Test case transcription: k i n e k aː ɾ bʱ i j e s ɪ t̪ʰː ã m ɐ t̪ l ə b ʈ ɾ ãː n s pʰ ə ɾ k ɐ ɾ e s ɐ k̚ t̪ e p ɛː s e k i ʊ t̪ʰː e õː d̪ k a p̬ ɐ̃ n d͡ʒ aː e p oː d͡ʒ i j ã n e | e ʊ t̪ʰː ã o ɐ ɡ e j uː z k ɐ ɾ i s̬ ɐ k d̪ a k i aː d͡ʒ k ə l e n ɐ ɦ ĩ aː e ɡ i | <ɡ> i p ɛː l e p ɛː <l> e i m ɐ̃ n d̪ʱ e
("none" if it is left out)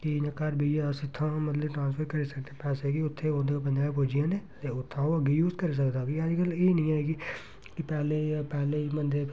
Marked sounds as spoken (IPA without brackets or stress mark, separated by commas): k, l